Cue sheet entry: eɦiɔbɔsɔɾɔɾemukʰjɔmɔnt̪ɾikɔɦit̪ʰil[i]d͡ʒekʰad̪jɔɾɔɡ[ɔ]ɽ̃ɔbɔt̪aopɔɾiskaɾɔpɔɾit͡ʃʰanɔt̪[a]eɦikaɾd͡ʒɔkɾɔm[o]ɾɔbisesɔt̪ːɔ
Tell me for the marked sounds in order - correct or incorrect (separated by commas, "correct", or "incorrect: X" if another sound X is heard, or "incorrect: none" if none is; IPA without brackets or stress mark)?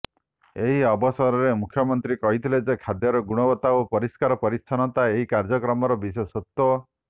incorrect: e, incorrect: u, correct, incorrect: ɔ